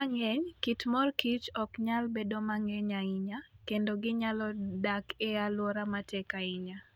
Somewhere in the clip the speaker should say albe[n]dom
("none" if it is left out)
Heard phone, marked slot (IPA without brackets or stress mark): none